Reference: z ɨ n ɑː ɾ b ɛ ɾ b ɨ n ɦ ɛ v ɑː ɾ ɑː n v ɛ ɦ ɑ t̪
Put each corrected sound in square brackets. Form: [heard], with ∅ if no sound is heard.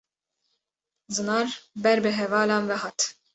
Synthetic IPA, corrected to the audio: z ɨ n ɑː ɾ b ɛ ɾ b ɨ [∅] ɦ ɛ v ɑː [l] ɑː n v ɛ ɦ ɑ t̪